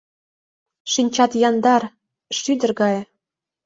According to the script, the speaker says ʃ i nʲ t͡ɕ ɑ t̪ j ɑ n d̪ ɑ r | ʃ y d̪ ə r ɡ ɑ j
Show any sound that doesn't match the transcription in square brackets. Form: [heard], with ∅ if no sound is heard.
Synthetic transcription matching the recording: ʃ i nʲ t͡ɕ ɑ t̪ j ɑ n d̪ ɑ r | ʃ y d̪ ə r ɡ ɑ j